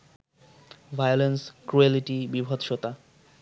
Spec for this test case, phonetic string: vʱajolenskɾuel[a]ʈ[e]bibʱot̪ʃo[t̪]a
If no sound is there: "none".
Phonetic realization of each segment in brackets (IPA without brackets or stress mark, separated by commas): i, i, t̪